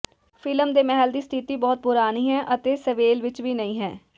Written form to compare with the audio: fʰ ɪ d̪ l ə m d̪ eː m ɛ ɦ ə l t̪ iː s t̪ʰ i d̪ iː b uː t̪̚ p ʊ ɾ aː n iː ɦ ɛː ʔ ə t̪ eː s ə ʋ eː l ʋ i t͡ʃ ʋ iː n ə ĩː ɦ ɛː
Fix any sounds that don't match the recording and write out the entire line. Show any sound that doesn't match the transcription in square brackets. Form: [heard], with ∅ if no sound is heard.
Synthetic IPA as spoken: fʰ ɪ [∅] l ə m d̪ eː m ɛ ɦ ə l [d̪] iː s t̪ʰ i [t̪] iː b [ɔː] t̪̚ p ʊ ɾ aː n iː ɦ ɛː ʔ ə t̪ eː s ə ʋ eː l ʋ [ɪ] t͡ʃ ʋ iː n ə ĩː ɦ ɛː